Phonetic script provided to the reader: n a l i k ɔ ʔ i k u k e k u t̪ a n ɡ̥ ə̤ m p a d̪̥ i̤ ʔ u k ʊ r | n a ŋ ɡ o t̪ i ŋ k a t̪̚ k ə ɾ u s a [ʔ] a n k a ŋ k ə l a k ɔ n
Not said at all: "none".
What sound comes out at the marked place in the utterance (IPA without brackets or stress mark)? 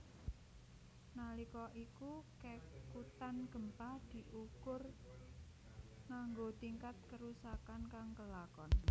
k